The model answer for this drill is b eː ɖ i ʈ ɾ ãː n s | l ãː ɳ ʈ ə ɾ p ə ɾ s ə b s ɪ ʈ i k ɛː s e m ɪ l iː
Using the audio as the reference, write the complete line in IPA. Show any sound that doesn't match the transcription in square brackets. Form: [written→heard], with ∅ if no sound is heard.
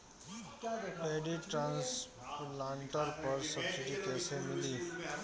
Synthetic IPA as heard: b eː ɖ i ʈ ɾ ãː n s | l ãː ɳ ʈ ə ɾ p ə ɾ s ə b s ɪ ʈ i k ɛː s e m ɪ l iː